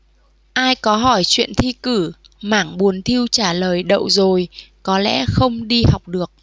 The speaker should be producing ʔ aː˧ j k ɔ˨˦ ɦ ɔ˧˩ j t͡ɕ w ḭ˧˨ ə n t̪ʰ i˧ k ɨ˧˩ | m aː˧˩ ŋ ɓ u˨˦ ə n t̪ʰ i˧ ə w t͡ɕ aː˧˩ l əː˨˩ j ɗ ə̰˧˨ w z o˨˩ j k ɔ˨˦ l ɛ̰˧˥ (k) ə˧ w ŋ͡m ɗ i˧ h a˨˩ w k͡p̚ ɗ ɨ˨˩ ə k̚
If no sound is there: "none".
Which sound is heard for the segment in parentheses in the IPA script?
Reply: x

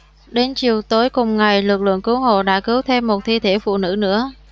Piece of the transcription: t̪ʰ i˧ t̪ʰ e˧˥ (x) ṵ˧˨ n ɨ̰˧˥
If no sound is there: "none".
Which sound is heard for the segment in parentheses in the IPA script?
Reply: f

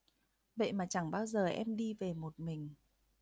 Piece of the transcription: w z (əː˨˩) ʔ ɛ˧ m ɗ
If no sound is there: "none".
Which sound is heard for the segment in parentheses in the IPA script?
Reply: əː˨˩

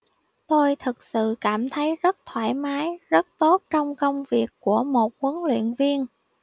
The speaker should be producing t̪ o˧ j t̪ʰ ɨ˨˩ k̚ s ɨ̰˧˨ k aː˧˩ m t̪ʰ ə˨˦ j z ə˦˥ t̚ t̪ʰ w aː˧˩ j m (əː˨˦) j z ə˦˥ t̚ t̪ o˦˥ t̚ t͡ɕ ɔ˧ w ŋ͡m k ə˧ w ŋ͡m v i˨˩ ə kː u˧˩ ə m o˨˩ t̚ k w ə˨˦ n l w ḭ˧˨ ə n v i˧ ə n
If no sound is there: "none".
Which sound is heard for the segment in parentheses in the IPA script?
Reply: aː˨˦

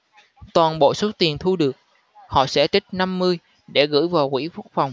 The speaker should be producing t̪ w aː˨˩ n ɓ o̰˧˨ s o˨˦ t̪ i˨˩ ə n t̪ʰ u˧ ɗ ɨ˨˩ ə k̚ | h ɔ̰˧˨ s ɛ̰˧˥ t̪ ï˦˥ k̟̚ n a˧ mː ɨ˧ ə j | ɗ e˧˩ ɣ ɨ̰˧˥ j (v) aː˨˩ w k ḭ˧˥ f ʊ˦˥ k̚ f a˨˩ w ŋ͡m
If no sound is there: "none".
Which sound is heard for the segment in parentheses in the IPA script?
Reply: v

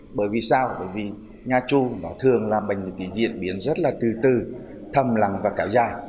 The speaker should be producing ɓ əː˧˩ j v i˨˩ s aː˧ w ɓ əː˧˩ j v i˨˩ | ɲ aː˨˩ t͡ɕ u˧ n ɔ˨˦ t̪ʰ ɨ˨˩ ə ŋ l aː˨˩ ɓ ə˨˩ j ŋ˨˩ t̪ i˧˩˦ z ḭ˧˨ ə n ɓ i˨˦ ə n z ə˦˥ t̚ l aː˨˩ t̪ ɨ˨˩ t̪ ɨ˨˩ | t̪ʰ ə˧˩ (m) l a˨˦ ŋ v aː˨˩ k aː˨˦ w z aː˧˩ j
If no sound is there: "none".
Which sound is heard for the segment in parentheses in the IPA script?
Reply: m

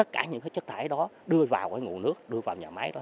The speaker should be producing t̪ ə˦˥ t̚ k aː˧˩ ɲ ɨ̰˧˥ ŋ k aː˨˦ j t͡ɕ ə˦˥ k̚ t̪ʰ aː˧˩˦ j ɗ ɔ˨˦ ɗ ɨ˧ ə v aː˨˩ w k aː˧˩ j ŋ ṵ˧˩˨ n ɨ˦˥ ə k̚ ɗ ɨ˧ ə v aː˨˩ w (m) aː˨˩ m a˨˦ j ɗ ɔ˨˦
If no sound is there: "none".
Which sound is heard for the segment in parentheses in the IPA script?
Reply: ɲ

